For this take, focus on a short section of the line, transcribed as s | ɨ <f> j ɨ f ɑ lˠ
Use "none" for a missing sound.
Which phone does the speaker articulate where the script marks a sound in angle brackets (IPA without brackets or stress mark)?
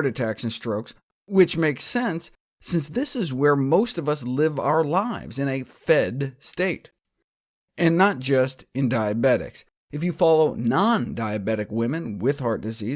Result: f